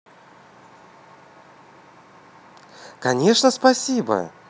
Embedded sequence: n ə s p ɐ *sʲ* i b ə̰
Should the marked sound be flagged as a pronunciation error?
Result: no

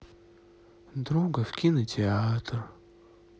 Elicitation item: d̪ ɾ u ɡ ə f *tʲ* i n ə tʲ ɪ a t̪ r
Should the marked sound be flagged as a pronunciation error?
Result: yes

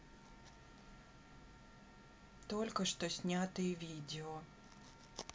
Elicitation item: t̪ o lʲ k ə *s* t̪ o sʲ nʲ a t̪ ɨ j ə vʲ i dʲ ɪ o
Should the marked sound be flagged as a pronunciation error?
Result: yes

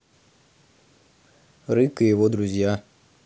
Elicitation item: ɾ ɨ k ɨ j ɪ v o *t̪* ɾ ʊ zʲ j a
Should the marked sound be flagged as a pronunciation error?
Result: yes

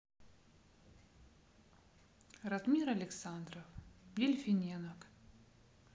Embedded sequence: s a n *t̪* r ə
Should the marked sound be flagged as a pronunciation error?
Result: yes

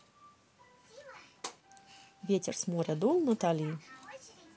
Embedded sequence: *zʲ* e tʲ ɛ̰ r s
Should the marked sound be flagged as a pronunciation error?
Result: yes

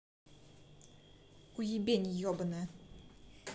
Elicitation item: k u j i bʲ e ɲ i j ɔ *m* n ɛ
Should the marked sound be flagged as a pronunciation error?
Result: yes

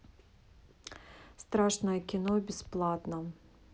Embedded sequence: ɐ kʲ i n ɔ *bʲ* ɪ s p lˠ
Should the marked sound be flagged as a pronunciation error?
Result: no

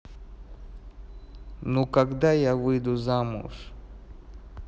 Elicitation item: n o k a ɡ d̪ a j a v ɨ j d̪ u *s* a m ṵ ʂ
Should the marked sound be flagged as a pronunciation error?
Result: yes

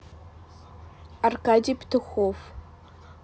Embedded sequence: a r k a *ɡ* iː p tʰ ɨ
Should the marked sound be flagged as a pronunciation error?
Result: yes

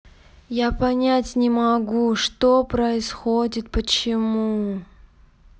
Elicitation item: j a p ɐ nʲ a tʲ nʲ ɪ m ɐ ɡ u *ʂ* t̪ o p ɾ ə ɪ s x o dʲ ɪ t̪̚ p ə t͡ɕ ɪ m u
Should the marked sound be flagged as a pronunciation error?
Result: no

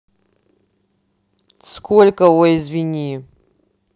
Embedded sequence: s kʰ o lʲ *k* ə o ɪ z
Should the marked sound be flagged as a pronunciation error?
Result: no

